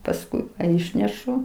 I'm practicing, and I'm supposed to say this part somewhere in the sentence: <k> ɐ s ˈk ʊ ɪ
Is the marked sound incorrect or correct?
incorrect